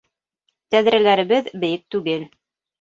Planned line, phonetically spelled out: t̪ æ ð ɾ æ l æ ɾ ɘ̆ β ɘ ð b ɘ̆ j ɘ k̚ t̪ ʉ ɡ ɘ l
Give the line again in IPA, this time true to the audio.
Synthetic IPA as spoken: t̪ æ ð ɾ æ l æ ɾ ɘ̆ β ɘ ð b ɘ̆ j ɘ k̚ t̪ ʉ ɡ ɘ l